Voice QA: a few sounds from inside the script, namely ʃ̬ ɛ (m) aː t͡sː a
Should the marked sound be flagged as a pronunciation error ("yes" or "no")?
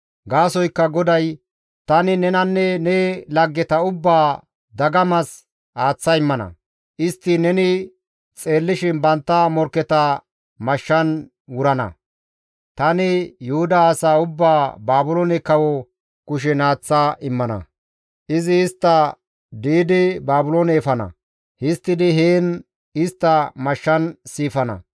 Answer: yes